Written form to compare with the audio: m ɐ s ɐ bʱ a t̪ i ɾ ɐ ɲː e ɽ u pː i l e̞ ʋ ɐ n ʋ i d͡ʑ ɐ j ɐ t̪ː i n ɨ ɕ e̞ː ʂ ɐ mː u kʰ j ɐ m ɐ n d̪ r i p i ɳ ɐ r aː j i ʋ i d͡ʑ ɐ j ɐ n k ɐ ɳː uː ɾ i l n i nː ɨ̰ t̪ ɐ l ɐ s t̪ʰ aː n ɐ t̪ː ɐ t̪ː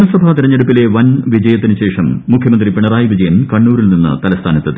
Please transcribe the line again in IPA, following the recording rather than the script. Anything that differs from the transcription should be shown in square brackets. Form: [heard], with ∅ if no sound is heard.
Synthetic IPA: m ɐ s ɐ bʱ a t̪ i ɾ ɐ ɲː e ɽ u pː i l e̞ ʋ ɐ n ʋ i d͡ʑ ɐ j ɐ t̪ː i n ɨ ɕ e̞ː ʂ ɐ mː u kʰ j ɐ m ɐ n d̪ r i p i ɳ ɐ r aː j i ʋ i d͡ʑ ɐ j ɐ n k ɐ ɳː uː ɾ i l n i nː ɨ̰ t̪ ɐ l ɐ s t̪ʰ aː n ɐ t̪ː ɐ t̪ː